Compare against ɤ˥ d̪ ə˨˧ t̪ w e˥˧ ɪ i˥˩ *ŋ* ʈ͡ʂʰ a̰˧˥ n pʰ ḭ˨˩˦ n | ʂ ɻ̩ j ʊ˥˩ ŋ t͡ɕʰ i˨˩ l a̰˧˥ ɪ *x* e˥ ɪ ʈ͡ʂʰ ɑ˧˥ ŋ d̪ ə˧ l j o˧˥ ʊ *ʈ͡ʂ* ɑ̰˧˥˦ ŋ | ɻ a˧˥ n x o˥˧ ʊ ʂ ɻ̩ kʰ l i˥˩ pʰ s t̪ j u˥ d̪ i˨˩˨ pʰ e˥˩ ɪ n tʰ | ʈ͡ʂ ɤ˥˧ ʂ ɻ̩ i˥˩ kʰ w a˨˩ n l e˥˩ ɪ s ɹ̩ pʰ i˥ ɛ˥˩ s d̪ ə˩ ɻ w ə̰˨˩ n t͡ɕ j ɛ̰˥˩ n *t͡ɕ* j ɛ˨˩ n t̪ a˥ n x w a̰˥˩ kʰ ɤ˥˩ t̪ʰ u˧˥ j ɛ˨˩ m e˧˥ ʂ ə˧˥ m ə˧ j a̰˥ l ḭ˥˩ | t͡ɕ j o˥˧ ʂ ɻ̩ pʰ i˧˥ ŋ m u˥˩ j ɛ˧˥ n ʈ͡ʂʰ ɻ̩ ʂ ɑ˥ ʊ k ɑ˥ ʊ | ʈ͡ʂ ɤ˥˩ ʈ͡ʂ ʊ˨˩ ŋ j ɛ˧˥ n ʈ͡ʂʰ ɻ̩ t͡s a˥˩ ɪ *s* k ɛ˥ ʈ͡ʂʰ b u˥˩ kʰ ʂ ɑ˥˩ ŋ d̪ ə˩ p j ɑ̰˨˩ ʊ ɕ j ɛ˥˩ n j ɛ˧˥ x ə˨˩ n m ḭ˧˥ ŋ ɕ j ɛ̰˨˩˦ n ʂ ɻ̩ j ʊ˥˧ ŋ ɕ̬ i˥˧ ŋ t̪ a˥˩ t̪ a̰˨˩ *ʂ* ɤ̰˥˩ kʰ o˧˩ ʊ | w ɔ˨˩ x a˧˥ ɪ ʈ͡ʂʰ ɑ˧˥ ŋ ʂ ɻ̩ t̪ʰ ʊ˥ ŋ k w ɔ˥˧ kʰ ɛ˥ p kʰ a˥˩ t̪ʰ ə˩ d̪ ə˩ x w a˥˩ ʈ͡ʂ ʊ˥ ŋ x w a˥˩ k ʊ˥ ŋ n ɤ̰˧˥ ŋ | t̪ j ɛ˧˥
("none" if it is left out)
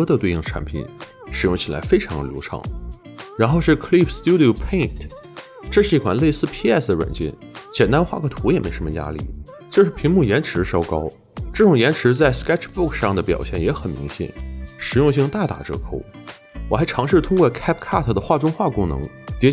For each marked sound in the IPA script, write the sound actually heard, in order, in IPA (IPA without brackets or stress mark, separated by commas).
ŋ, f, ʈ͡ʂʰ, t͡ɕ, s, ʈ͡ʂ